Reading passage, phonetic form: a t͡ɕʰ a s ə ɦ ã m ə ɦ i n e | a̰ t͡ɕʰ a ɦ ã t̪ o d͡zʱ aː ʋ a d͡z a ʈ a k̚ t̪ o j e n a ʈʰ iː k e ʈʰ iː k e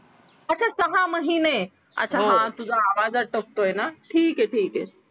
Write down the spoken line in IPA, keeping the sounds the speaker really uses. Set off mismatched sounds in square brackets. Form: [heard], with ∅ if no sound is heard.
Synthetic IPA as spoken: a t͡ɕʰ a s ə ɦ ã m ə ɦ i n e | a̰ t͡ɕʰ a ɦ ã t̪ [u] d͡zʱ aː ʋ a d͡z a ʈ [ə] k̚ t̪ o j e n a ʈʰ iː k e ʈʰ iː k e